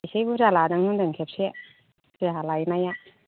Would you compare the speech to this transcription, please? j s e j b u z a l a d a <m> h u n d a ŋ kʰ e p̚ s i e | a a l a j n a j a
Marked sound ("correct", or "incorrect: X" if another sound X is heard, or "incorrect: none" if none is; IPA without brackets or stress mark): incorrect: ŋ